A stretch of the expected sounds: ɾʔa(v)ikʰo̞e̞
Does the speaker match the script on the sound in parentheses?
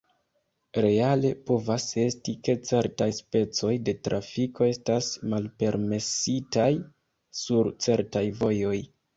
no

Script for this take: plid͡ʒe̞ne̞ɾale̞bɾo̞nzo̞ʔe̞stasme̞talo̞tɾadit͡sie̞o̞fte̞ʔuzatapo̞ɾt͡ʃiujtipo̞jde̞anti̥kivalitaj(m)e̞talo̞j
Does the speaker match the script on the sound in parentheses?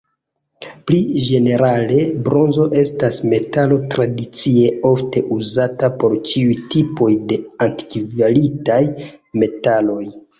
yes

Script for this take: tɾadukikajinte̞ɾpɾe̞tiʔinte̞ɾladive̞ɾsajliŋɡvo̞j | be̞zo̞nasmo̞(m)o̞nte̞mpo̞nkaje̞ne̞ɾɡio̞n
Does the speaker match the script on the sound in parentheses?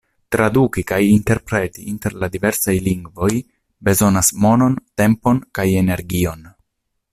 no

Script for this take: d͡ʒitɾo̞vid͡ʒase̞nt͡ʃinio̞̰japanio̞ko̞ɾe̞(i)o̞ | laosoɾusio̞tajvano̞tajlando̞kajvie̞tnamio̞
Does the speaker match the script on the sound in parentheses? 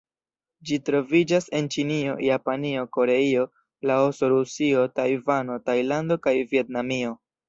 yes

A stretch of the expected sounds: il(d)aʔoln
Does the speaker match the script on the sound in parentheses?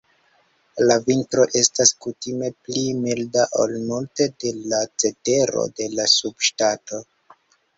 yes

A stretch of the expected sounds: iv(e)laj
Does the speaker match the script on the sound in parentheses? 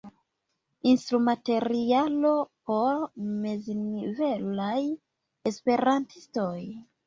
yes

